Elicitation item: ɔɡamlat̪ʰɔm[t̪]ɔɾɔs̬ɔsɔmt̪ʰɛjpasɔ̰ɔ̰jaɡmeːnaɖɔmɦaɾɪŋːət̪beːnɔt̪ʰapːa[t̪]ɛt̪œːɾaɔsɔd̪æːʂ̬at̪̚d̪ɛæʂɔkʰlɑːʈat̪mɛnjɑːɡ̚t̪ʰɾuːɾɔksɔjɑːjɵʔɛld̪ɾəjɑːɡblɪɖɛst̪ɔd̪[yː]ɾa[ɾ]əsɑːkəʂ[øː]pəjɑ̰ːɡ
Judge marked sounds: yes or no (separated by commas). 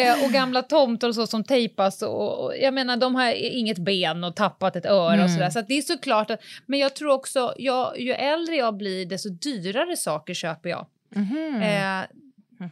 yes, yes, yes, yes, yes